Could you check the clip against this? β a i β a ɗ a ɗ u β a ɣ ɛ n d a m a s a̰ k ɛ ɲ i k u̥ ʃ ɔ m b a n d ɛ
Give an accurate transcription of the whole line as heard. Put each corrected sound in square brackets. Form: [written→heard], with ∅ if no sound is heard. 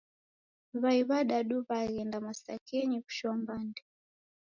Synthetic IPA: β a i β a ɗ a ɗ u β a ɣ ɛ n d a m a s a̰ k ɛ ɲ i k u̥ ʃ ɔ m b a n d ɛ